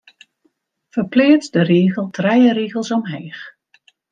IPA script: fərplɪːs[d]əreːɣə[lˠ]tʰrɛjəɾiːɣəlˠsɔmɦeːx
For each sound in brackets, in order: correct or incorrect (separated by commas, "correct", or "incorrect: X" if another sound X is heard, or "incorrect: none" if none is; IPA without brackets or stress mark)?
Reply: correct, correct